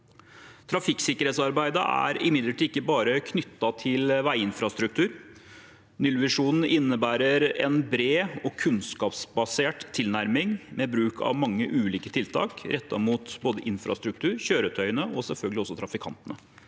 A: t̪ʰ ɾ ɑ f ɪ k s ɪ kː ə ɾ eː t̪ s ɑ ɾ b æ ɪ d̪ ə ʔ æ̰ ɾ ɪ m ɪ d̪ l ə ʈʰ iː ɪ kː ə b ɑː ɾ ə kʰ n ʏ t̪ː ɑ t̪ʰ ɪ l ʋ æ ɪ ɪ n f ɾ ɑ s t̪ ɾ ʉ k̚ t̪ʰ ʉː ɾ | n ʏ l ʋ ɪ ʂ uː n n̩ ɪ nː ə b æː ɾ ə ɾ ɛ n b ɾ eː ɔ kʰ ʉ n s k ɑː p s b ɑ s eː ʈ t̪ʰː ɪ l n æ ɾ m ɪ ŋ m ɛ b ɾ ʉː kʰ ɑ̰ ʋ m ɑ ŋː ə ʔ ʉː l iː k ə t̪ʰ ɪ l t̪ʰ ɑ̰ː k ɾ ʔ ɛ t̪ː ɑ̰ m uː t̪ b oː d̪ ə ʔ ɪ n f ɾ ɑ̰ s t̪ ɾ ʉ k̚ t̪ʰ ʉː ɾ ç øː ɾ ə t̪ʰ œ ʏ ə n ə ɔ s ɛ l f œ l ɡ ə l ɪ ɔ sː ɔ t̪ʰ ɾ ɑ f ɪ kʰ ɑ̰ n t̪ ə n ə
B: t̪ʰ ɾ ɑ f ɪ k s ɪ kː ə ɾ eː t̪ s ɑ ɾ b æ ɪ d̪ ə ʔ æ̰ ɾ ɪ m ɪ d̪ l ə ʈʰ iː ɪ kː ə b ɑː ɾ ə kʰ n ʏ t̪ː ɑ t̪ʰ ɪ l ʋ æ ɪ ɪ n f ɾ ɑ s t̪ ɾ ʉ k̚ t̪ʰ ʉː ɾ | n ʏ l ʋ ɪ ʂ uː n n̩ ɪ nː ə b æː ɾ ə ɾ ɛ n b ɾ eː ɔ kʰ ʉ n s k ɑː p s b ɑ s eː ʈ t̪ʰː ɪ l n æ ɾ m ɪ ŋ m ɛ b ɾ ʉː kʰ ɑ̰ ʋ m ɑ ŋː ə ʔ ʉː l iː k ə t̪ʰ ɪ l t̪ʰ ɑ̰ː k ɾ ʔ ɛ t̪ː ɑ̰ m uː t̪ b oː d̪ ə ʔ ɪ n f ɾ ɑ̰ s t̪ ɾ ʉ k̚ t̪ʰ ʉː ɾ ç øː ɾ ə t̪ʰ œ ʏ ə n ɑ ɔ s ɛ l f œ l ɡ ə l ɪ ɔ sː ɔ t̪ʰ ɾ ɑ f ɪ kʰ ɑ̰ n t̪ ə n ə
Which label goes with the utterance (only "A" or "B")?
A